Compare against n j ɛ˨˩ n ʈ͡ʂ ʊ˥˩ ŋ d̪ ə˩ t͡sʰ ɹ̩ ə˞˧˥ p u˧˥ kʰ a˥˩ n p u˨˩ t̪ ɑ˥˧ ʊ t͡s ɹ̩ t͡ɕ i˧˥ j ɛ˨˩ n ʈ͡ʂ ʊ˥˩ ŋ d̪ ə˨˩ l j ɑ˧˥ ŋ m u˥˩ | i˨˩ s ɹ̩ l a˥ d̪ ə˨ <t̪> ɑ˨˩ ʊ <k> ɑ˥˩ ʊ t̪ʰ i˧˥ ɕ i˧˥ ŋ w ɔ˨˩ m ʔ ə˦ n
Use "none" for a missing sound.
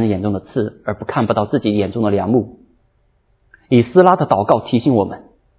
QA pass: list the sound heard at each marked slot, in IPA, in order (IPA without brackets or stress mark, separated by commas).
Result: t̪, k